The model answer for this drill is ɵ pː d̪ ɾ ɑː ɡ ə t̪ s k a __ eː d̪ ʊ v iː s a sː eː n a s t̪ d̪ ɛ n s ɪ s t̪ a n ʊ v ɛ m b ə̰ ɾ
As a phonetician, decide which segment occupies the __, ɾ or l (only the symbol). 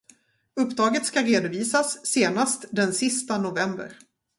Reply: ɾ